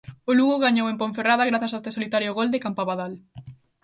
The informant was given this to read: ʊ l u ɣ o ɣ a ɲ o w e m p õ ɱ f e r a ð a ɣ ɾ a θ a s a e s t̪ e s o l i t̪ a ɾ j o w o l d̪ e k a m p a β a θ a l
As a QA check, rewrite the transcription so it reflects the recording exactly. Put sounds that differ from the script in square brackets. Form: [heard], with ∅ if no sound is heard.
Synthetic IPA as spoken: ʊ l u ɣ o ɣ a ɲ o w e m p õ ɱ f e r a ð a ɣ ɾ a θ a s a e s t̪ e s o l i t̪ a ɾ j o [ɣ] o l d̪ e k a m p a β a [ð] a l